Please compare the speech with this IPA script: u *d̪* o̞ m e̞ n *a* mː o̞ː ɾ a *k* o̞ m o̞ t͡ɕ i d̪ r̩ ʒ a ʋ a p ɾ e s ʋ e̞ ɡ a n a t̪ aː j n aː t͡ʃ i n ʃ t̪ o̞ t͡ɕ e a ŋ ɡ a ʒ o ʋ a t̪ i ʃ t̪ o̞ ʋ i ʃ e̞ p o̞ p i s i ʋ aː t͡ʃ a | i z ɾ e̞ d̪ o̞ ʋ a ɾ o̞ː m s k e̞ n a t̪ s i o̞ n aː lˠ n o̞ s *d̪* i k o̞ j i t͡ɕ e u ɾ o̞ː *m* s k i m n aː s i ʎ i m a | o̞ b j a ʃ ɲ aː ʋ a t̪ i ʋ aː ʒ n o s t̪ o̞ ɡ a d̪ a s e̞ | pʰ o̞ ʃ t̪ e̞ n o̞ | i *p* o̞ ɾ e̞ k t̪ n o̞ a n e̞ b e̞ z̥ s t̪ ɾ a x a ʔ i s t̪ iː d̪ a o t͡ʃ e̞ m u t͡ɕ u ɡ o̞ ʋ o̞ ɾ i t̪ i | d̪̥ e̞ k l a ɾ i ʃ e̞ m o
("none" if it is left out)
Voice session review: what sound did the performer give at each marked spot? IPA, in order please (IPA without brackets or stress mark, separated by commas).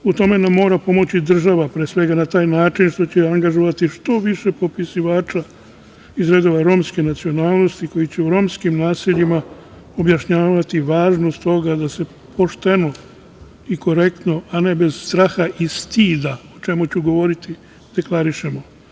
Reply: t̪, a, p, t̪, m, k